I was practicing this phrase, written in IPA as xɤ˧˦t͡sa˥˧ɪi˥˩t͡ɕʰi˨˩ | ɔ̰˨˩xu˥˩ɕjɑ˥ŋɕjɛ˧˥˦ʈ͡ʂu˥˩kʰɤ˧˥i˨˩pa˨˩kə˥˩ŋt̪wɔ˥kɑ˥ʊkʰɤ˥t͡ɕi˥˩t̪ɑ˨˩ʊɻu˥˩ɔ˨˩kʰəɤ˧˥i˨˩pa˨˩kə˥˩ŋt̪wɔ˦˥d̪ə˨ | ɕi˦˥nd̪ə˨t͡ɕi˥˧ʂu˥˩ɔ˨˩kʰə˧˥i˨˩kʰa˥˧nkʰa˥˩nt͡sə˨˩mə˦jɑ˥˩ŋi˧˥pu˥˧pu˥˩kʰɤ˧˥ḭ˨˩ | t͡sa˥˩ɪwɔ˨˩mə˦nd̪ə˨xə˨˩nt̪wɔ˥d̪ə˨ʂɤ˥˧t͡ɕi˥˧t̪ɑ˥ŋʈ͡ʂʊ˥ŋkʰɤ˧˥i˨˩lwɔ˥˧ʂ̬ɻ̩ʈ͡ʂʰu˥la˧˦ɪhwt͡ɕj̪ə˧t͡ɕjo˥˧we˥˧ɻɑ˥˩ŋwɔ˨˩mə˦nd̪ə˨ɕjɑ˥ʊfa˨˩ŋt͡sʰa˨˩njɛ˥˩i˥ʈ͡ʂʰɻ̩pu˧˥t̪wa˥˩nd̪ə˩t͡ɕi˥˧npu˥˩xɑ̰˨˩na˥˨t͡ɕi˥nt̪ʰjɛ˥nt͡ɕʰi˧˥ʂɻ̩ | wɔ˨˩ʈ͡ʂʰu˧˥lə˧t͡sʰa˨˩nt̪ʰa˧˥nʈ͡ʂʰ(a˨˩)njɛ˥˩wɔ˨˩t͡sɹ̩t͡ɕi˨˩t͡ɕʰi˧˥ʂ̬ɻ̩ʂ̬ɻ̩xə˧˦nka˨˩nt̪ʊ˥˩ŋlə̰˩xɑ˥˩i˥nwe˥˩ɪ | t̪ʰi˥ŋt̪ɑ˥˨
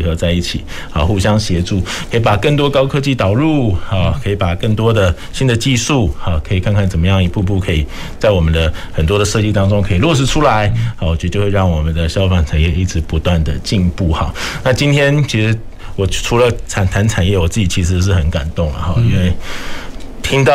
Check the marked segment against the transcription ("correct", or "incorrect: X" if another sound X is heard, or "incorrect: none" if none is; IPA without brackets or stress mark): correct